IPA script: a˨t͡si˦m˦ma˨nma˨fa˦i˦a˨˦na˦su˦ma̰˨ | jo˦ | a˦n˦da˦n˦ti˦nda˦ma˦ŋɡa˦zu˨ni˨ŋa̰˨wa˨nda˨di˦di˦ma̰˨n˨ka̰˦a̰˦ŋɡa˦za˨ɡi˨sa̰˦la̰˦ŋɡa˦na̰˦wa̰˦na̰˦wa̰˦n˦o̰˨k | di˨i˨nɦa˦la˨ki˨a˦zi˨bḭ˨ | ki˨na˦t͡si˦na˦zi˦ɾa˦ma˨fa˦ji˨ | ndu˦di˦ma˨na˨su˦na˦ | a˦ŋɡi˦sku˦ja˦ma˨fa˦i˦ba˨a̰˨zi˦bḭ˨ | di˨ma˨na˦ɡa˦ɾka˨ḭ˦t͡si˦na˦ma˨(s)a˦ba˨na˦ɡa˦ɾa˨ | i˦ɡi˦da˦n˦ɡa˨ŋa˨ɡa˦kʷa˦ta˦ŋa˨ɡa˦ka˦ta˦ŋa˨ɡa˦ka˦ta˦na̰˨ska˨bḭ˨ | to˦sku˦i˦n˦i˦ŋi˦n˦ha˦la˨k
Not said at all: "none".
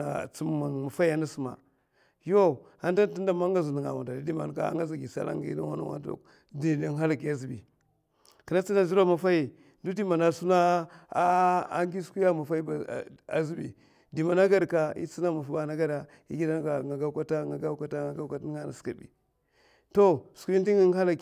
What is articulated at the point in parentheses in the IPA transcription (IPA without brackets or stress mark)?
f